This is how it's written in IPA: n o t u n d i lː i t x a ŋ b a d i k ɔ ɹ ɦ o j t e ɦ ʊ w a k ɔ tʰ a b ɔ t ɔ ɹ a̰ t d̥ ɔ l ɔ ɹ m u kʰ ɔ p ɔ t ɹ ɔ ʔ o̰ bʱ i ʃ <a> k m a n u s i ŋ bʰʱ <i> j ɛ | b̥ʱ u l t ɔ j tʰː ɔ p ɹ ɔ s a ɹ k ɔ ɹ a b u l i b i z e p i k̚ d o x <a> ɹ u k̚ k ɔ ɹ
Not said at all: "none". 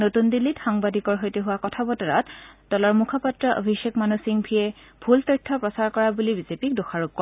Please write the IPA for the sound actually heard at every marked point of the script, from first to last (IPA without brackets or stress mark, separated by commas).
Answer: e, i, a